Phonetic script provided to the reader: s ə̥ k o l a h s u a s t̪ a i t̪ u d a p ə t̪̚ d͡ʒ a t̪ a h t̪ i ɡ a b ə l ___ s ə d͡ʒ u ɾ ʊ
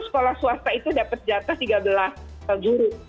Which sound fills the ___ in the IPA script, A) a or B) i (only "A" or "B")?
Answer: A